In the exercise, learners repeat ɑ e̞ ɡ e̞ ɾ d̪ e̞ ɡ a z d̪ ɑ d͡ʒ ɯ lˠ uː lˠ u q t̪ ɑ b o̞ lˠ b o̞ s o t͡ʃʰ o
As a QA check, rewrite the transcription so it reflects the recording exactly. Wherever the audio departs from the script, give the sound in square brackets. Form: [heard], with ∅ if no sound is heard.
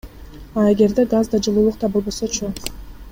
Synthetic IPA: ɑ e̞ ɡ e̞ ɾ d̪ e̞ ɡ a z d̪ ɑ d͡ʒ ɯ lˠ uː lˠ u q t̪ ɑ b o̞ lˠ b o̞ s o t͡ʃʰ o